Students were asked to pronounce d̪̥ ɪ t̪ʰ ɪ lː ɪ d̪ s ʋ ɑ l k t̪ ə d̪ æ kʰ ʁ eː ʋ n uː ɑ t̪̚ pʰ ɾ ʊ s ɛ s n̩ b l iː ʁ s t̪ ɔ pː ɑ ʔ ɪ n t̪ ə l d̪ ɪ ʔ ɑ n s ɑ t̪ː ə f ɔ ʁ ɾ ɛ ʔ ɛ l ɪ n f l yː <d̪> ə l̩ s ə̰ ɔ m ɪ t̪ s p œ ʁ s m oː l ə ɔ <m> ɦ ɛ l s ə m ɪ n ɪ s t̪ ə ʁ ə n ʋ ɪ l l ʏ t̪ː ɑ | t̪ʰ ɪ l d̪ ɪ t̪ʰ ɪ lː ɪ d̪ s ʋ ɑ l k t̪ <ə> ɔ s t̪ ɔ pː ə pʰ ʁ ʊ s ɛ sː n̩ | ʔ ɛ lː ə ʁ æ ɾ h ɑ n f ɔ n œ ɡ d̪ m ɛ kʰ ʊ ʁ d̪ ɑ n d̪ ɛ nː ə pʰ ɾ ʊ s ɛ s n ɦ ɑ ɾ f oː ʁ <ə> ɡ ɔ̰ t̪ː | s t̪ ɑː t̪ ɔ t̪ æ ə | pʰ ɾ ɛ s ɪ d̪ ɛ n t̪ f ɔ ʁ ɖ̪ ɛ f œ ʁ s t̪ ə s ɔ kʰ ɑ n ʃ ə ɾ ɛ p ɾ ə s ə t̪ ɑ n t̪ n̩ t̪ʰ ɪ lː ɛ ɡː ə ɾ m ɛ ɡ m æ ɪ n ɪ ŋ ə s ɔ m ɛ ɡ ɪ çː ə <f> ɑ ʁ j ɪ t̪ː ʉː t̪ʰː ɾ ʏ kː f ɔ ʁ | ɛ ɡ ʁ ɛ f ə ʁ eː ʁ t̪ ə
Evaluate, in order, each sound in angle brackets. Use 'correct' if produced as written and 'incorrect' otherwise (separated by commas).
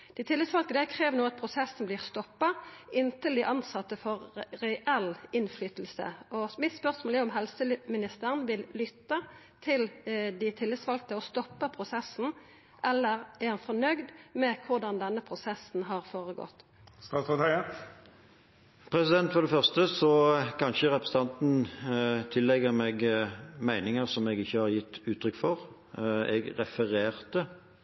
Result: incorrect, correct, correct, correct, incorrect